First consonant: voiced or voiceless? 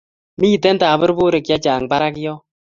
voiced